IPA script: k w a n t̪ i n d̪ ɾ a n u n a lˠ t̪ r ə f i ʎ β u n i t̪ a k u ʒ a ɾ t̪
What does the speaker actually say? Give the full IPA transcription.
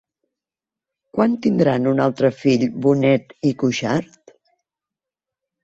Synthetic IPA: k w a n t̪ i n d̪ ɾ a n u n a lˠ t̪ ɾ ə f i ʎ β u n ɛ t̪ i k u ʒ a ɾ t̪